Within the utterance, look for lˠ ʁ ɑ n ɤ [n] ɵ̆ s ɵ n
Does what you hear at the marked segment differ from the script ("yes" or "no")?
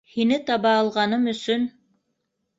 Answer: yes